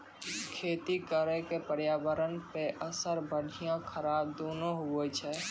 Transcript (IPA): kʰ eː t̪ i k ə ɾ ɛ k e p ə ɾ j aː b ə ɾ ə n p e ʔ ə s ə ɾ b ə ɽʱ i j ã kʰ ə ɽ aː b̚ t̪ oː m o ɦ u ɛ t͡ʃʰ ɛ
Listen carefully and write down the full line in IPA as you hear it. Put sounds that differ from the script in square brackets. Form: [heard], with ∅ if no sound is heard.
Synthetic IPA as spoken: kʰ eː t̪ i k ə ɾ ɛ k e p ə ɾ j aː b ə ɾ ə n p e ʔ ə s ə ɾ b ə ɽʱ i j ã kʰ ə [ɾ] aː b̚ [d̪] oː [n] o ɦ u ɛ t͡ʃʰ ɛ

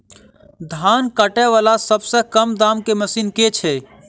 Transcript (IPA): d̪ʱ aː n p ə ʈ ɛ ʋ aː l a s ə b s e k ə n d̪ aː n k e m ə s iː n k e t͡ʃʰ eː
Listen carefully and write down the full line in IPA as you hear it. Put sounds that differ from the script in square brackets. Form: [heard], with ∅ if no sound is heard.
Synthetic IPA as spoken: d̪ʱ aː n [k] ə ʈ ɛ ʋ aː l a s ə b s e k ə [m] d̪ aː [m] k e m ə s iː n k e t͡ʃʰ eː

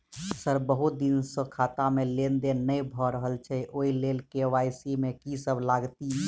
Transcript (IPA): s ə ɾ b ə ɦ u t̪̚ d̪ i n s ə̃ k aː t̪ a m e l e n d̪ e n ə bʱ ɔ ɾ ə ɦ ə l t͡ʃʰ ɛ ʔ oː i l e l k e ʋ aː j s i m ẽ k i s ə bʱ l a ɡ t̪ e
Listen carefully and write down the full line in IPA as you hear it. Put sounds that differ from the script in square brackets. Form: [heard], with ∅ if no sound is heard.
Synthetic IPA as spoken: s ə ɾ b ə ɦ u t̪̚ d̪ i n s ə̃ [kʰ] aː t̪ a m e l e n d̪ e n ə bʱ ɔ ɾ ə ɦ ə l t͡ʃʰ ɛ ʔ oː i l e l k e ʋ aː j s i m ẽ k i s ə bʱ l a ɡ t̪ [i]

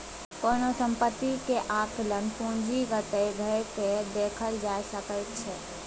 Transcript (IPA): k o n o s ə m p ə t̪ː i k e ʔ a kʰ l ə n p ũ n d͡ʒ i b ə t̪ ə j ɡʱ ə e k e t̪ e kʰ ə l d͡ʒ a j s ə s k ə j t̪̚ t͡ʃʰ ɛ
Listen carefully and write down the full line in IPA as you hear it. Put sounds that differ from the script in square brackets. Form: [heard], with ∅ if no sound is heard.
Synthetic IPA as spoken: k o n o s ə m p ə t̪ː i k e ʔ a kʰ l ə n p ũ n d͡ʒ i [ɡ] ə t̪ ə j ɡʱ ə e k e [d̪] e kʰ ə l d͡ʒ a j s ə [∅] k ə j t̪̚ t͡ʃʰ ɛ

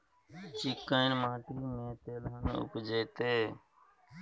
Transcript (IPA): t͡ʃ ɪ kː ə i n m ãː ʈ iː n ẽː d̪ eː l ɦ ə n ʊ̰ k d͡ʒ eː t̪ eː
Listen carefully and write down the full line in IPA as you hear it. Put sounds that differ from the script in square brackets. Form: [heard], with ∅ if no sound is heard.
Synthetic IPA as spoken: t͡ʃ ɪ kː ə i n m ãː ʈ iː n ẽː [t̪] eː l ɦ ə n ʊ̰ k d͡ʒ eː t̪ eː

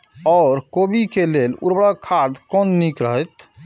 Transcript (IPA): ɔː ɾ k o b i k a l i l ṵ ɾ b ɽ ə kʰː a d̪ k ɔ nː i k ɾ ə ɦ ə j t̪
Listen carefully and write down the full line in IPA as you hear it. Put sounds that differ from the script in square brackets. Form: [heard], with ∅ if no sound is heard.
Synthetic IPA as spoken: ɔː ɾ k o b i k [e] l [e] l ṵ ɾ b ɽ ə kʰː a d̪ k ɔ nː i k ɾ ə ɦ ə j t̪

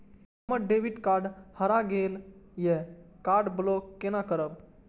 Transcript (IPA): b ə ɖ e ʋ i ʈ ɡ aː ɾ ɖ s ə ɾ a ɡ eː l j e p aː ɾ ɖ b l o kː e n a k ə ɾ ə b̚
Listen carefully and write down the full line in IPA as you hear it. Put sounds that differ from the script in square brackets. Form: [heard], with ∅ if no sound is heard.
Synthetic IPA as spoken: [m] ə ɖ e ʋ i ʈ [k] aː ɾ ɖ [h] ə ɾ a ɡ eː l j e [k] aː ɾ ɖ b l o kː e n a k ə ɾ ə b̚

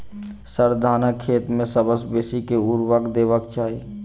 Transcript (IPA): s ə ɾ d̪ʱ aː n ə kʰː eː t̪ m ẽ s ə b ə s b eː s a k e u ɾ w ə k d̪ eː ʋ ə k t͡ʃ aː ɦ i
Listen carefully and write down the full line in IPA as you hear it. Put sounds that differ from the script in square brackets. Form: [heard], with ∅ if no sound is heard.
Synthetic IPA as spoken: s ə ɾ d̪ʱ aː n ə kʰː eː t̪ m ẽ s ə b ə s b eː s [i] k e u ɾ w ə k d̪ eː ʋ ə k t͡ʃ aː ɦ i

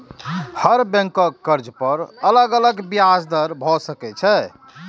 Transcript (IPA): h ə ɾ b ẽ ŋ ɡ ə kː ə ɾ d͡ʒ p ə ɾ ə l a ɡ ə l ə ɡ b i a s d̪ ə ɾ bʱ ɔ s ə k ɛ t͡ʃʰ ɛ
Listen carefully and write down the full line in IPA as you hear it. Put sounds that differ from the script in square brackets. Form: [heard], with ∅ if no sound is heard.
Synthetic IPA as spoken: h ə ɾ b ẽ ŋ [k] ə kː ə ɾ d͡ʒ p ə ɾ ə l [ə] ɡ ə l ə ɡ b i a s d̪ ə ɾ bʱ ɔ s ə k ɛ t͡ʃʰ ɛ

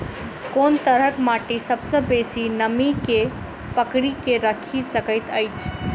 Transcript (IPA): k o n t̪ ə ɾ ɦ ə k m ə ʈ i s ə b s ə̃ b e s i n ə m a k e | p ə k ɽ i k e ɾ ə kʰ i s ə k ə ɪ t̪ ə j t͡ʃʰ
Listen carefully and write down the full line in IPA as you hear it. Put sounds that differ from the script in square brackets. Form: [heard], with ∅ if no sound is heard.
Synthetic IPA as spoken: k o n t̪ ə ɾ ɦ ə k m [a] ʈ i s ə b s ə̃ b e s i n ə m [i] k e | p ə k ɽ i k e ɾ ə kʰ i s ə k ə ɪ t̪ ə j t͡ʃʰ

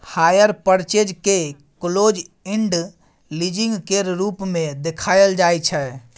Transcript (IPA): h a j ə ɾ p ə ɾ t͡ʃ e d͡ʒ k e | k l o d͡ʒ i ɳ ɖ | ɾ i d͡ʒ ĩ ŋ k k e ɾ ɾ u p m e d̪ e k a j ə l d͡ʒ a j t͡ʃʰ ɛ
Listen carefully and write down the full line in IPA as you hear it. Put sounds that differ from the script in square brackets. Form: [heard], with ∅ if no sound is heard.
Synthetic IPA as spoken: h a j ə ɾ p ə ɾ t͡ʃ e d͡ʒ k e | k l o d͡ʒ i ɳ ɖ | [l] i d͡ʒ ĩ ŋ [ɡ] k e ɾ ɾ u p m e d̪ e [kʰ] a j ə l d͡ʒ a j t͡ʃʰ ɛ

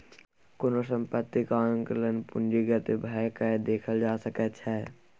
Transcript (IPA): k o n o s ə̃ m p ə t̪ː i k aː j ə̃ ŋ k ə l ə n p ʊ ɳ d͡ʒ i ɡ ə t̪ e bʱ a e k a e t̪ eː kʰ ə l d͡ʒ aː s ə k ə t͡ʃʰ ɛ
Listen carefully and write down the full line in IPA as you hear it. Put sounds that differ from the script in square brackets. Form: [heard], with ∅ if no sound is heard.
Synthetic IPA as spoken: k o n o s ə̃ m p ə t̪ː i k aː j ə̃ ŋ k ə l ə n p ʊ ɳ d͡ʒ i ɡ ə t̪ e bʱ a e k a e [d̪] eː kʰ ə l d͡ʒ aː s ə k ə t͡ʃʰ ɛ

